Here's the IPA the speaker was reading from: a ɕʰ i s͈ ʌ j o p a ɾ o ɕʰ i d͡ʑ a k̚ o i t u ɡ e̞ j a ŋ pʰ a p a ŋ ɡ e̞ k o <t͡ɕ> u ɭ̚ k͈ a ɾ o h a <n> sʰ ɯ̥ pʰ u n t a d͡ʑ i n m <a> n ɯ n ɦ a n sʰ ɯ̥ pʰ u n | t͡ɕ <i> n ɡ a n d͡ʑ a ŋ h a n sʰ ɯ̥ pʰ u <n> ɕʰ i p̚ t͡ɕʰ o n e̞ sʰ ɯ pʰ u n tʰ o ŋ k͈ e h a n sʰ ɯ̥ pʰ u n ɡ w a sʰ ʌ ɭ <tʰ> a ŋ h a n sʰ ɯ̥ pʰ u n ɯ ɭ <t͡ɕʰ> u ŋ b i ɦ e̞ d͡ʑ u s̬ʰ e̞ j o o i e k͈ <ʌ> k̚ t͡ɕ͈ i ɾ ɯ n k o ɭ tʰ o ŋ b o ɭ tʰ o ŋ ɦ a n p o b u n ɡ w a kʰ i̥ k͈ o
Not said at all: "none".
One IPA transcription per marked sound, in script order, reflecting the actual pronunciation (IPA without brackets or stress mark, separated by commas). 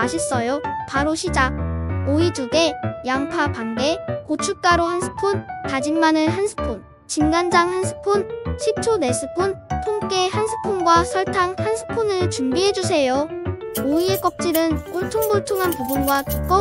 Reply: t͡ɕʰ, n, a, i, n, tʰ, t͡ɕ, ʌ